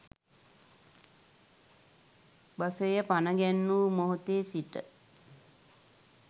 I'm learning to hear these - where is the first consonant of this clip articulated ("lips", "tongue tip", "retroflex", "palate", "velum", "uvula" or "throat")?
lips